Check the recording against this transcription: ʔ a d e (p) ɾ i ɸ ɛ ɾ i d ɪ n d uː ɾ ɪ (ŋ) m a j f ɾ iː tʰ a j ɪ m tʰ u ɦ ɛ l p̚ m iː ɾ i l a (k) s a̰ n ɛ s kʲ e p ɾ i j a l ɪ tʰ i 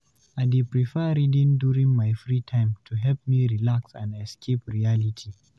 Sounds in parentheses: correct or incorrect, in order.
correct, correct, correct

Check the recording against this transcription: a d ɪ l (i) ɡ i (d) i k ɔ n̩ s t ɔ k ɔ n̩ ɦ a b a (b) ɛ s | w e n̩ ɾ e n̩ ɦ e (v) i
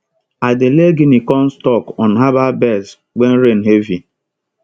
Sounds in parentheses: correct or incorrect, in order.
incorrect, incorrect, correct, correct

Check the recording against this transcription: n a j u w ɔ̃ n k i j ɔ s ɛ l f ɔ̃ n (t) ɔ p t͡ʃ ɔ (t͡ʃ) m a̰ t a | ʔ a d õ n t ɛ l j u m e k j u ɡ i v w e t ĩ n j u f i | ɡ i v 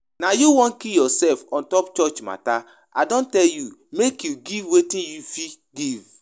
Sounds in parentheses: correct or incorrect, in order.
correct, correct

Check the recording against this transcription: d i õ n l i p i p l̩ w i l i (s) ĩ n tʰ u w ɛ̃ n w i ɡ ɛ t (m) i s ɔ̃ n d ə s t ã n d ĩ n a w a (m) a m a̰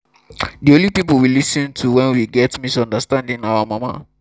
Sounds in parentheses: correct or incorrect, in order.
correct, correct, correct

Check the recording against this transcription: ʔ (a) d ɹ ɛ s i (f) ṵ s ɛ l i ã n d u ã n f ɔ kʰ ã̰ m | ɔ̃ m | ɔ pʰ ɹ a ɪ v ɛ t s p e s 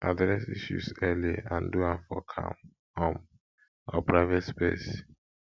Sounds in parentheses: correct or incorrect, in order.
correct, incorrect

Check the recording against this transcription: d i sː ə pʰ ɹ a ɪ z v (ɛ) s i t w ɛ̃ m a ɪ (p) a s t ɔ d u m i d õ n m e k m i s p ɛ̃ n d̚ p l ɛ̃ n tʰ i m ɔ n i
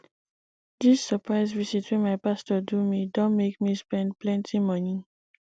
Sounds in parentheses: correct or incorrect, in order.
incorrect, correct

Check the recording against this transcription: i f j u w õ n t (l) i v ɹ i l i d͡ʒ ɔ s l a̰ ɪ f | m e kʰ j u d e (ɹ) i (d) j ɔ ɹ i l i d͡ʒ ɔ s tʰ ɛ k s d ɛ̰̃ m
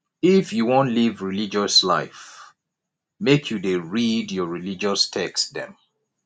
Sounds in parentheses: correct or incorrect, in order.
correct, correct, correct

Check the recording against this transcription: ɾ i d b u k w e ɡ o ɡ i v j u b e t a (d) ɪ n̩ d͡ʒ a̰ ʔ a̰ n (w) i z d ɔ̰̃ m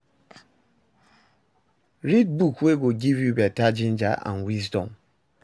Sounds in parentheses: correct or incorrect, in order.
incorrect, correct

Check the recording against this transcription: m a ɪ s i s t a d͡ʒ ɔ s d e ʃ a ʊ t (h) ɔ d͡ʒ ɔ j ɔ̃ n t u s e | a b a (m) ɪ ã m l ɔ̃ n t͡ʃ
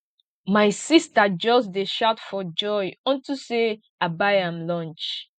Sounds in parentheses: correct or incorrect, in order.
incorrect, incorrect

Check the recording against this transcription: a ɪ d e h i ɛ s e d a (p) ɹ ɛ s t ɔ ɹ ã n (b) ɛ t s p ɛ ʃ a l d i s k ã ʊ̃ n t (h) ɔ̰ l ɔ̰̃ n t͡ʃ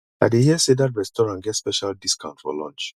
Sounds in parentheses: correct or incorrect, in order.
incorrect, incorrect, incorrect

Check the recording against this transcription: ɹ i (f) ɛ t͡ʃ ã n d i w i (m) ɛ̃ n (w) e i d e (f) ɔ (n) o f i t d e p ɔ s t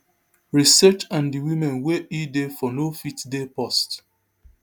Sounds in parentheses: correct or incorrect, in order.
incorrect, correct, correct, correct, correct

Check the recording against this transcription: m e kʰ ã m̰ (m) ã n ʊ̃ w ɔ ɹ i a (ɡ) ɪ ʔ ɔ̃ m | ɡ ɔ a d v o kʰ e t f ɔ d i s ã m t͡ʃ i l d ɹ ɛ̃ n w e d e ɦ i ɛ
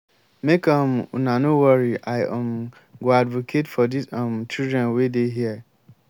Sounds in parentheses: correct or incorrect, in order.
incorrect, incorrect

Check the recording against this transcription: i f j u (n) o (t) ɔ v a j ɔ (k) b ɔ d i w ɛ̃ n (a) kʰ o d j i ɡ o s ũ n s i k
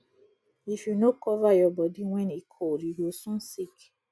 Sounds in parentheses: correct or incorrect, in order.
correct, incorrect, incorrect, incorrect

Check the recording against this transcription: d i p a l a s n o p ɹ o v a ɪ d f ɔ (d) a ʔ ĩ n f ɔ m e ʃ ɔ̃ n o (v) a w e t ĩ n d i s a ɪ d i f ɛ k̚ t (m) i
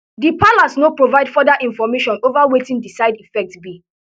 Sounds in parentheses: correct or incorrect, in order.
correct, correct, incorrect

